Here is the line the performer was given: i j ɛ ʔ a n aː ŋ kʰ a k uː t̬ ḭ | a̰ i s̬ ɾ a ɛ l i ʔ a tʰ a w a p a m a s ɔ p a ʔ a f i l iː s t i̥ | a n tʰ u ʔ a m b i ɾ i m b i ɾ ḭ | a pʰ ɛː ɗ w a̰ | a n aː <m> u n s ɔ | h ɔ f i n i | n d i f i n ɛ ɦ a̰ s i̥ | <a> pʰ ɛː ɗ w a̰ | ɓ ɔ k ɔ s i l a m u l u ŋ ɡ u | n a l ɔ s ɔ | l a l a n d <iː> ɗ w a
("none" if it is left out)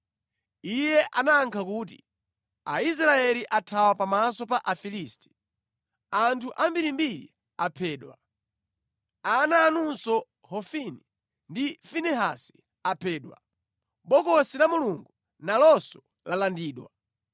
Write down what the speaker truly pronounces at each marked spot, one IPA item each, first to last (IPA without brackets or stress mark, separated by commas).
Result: n, a, iː